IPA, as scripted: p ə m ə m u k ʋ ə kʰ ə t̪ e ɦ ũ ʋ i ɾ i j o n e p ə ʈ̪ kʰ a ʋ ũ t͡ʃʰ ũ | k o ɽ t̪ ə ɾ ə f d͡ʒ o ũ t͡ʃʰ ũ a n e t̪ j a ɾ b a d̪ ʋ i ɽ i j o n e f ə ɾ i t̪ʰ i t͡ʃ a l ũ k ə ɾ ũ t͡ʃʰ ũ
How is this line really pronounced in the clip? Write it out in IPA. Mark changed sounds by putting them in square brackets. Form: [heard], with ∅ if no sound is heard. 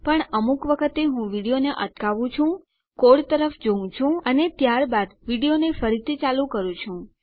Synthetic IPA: p ə [ɳ] ə m u k ʋ ə kʰ ə t̪ e ɦ ũ ʋ i [ɽ] i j o n e [ʔ] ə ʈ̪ [k] a ʋ ũ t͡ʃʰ ũ | k o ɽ t̪ ə ɾ ə f d͡ʒ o ũ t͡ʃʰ ũ [ə] n e t̪ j a ɾ b a d̪ ʋ i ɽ i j o n e f ə ɾ i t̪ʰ i t͡ʃ a l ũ k ə ɾ ũ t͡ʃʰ ũ